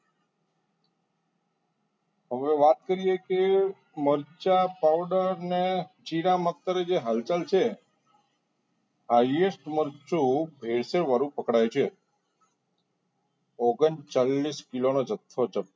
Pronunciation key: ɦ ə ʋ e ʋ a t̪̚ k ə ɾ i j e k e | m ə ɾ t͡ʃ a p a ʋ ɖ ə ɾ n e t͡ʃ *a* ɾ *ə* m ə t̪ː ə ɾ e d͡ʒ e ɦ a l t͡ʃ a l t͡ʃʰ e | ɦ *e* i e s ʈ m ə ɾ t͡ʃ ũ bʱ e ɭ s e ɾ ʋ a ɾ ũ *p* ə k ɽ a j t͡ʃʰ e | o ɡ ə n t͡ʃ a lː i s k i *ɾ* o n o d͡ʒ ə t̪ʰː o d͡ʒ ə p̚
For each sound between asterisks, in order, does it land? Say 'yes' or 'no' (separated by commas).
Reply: no, no, no, yes, no